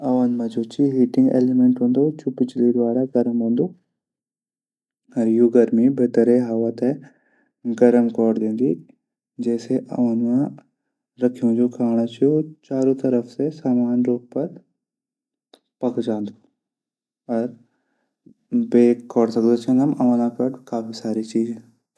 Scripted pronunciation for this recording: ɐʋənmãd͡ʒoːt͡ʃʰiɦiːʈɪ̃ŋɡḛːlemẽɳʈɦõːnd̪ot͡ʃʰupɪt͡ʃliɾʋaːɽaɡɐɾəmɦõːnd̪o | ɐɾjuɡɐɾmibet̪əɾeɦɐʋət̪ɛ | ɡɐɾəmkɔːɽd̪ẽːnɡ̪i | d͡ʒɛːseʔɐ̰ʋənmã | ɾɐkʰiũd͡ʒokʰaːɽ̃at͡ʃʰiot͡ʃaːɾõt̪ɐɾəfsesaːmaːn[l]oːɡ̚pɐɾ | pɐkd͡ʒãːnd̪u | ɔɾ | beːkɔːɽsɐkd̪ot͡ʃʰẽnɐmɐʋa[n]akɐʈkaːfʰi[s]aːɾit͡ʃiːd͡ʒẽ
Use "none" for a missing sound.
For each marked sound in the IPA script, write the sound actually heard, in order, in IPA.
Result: ɾ, n, s

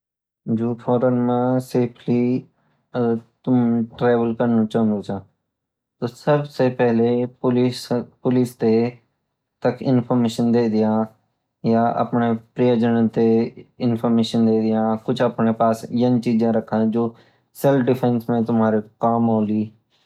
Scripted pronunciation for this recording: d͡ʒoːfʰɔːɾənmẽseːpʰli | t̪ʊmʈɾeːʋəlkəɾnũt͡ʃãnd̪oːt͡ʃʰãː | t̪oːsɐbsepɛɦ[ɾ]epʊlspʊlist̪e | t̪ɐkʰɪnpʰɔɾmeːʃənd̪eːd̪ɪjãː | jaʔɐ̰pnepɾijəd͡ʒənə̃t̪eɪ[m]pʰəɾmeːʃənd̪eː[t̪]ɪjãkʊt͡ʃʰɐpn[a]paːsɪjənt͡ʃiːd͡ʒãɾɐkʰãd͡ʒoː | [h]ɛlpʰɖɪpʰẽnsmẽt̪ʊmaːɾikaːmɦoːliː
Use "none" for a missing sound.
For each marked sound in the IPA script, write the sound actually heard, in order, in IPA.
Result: l, n, d̪, e, s

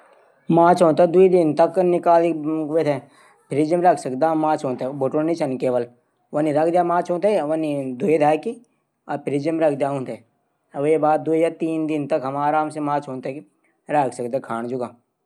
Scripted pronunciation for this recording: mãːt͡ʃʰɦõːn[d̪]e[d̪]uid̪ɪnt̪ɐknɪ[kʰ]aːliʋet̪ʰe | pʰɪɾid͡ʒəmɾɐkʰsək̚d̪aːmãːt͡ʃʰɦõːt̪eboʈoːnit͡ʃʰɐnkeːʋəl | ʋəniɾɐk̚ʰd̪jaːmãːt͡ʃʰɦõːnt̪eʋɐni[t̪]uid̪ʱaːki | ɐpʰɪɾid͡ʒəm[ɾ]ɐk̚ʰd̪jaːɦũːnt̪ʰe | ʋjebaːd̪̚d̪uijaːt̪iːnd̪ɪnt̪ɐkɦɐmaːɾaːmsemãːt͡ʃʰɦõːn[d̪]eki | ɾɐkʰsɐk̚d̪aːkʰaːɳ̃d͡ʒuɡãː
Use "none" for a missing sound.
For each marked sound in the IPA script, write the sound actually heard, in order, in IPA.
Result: t̪, d̪, k, d̪, ɾ, t̪

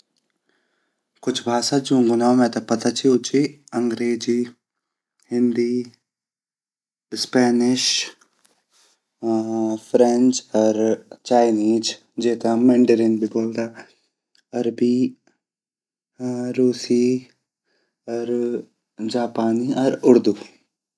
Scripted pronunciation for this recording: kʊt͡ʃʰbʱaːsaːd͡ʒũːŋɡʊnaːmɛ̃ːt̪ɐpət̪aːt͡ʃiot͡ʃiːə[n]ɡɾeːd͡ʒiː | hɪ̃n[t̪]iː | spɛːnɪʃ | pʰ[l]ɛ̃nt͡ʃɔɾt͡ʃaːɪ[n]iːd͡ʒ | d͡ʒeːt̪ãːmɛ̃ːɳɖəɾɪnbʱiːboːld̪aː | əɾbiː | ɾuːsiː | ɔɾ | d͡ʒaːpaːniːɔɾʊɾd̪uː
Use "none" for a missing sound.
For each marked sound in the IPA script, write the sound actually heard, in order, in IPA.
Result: ŋ, d̪, ɾ, n

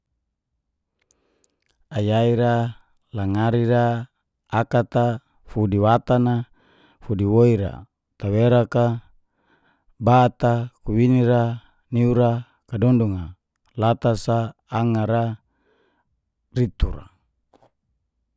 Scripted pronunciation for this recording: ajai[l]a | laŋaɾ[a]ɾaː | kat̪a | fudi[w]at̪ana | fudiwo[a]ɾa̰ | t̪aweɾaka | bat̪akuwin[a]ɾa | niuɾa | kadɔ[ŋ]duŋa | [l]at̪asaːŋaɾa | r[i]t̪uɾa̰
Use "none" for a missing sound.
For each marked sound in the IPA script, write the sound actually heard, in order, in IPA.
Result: ɾ, i, w, i, i, n, l, i

